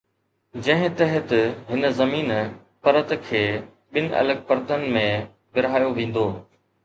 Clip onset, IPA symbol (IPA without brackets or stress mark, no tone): d͡ʑ